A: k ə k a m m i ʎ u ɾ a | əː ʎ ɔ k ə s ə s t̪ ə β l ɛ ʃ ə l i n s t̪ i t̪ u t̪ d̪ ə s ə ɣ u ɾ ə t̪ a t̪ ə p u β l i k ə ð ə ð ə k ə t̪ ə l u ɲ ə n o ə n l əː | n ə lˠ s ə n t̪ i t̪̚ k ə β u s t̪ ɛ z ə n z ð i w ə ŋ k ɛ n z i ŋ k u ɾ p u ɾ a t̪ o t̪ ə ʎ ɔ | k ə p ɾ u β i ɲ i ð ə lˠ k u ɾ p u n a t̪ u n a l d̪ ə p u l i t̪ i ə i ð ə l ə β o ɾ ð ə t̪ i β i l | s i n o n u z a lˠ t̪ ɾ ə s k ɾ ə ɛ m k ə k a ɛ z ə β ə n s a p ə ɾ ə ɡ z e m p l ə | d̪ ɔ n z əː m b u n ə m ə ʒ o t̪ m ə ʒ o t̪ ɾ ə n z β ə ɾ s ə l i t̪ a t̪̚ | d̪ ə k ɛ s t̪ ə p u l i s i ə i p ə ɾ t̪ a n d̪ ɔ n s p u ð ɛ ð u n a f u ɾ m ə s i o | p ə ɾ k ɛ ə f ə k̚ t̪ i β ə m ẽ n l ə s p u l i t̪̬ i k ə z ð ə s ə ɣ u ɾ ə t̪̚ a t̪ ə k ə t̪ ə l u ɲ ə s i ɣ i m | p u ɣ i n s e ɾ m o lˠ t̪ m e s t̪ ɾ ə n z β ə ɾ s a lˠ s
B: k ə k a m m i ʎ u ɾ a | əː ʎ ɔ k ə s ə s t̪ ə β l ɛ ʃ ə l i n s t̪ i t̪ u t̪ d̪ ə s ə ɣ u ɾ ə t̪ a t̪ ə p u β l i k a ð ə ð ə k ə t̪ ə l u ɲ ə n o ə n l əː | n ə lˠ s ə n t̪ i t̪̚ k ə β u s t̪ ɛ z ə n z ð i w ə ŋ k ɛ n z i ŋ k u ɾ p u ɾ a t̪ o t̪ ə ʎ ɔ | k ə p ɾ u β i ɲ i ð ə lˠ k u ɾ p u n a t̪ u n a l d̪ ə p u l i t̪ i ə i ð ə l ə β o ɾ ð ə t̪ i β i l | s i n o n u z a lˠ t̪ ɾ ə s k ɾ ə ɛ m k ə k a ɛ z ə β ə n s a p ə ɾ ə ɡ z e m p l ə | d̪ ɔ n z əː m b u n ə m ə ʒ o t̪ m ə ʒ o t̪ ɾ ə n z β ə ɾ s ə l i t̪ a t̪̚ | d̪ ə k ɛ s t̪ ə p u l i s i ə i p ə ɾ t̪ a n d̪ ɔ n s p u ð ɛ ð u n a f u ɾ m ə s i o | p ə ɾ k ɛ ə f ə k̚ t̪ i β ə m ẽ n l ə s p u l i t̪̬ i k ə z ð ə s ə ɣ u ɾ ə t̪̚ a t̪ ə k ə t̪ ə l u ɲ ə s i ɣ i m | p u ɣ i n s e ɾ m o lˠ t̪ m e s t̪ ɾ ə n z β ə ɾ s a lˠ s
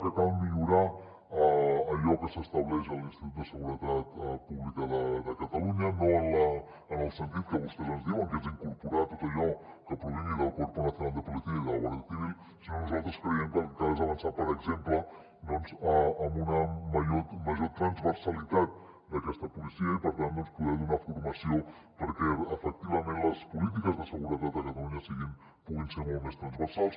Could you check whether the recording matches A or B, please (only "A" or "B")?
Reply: A